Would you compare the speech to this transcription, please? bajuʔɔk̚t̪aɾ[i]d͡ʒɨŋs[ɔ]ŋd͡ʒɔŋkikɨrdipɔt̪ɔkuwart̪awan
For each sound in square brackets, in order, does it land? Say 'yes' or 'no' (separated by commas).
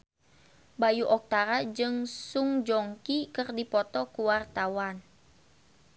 no, no